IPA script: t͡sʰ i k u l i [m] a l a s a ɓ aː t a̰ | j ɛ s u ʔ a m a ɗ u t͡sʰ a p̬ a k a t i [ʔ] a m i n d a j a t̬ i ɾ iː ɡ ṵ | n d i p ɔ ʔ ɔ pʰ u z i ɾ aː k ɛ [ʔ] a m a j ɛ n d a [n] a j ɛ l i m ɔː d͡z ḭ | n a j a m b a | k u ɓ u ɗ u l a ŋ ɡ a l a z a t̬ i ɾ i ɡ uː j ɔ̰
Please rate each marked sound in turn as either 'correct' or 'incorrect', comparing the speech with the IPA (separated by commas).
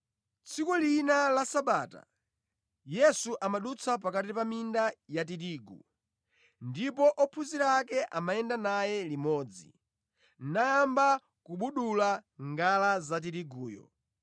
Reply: incorrect, incorrect, correct, correct